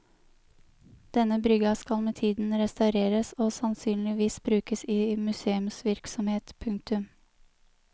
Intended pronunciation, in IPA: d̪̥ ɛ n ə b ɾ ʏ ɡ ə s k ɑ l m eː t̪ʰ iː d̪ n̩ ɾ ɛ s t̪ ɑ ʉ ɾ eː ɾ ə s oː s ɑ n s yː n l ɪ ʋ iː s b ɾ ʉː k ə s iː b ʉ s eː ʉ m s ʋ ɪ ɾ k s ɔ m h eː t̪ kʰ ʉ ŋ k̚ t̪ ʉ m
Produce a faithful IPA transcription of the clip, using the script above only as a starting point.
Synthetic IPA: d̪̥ ɛ n ə b ɾ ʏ ɡ ɑ s k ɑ l m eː t̪ʰ iː d̪ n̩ ɾ ɛ s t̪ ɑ ʉ ɾ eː ɾ ə s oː s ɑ n s yː n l ɪ ʋ iː s b ɾ ʉː k ə s iː m ʉ s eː ʉ m s ʋ ɪ ɾ k s ɔ m h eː t̪ pʰ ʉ ŋ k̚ t̪ ʉ m